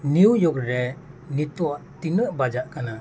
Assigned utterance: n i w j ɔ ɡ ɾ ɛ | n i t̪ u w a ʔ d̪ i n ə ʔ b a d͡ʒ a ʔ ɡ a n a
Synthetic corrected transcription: n i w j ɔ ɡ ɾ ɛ | n i t̪ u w a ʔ t̪ i n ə ʔ b a d͡ʒ a ʔ k a n a